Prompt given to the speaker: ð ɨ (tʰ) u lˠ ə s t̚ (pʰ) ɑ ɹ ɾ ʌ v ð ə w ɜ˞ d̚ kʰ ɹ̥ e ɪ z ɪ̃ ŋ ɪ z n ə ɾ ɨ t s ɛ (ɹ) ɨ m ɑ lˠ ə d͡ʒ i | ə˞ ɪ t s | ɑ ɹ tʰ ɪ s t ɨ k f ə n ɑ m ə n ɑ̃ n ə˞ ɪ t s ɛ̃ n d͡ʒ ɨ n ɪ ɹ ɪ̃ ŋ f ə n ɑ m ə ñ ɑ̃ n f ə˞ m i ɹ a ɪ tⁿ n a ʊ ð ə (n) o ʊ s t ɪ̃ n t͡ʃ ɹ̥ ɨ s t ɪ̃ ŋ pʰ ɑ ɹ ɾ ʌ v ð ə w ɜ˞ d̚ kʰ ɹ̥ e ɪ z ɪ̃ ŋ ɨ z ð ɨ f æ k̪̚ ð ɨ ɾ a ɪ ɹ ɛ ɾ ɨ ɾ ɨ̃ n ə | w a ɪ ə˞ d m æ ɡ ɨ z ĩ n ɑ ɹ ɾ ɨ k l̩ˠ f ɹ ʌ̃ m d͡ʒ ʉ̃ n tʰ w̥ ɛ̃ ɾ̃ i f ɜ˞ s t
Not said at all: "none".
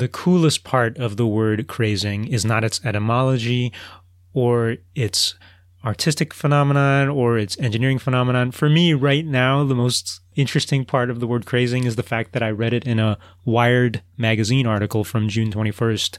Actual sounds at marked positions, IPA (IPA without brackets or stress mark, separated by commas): kʰ, pʰ, ɾ, m